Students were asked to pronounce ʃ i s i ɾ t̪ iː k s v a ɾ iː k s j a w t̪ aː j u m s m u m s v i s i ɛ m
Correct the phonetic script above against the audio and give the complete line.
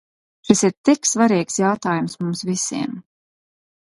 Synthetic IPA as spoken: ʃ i s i ɾ t̪ i k s v a ɾ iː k s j a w t̪ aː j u m s m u m s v i s i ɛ m